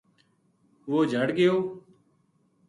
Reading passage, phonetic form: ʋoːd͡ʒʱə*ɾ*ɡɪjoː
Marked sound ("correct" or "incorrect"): incorrect